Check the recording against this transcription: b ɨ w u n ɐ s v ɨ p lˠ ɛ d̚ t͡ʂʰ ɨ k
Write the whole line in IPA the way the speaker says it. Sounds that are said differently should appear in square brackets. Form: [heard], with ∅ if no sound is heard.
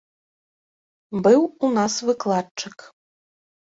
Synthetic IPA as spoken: b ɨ w u n [a] s v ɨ [k] lˠ [a] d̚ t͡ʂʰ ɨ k